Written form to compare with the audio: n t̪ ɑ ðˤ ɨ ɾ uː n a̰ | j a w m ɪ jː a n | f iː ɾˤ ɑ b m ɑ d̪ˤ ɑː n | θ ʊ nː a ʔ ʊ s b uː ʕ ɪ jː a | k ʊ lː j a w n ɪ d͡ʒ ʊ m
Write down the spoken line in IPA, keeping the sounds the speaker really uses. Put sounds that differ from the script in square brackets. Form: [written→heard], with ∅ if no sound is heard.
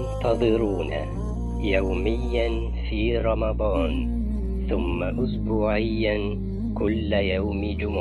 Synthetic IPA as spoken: n t̪ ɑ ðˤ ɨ ɾ uː n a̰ | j a w m ɪ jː a n | f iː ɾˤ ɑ [b→∅] m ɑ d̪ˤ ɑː n | θ ʊ [nː→mː] a ʔ ʊ s b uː ʕ ɪ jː a | k ʊ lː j a w [n→m] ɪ d͡ʒ ʊ m